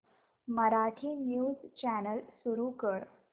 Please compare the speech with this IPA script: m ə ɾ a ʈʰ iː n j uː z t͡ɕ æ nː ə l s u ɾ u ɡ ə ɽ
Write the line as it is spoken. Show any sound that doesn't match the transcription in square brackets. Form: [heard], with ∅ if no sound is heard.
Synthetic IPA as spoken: m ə ɾ a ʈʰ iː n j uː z t͡ɕ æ [n] ə l s u ɾ u [k] ə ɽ